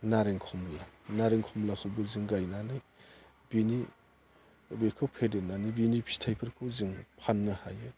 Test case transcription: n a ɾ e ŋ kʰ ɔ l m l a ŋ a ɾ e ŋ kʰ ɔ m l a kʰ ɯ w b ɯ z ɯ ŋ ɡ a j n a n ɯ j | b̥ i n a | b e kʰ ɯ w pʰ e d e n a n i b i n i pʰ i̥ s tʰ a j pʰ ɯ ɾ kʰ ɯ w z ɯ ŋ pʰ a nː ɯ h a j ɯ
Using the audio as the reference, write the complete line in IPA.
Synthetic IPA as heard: n a ɾ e ŋ kʰ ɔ m l a n a ɾ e ŋ kʰ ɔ m l a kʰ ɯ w b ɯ z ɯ ŋ ɡ a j n a n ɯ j | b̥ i n i | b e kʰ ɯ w pʰ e d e n a n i b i n i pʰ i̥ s tʰ a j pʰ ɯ ɾ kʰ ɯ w z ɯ ŋ pʰ a nː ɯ h a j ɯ